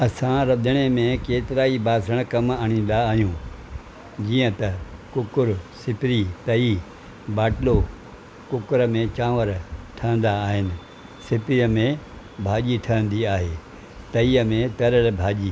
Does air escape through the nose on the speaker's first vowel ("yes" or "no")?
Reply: no